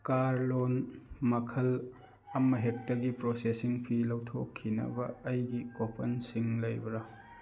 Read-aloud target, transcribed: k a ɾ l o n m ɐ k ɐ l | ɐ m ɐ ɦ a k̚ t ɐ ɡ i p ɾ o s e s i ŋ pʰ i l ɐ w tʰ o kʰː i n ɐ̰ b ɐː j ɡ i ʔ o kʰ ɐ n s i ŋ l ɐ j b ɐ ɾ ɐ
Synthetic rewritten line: k a ɾ l o n m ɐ kʰ ɐ l | ɐ m ɐ ɦ e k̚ t ɐ ɡ i p ɾ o s e s i ŋ pʰ i l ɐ w tʰ o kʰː i n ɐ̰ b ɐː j ɡ i k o pʰ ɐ n s i ŋ l ɐ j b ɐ ɾ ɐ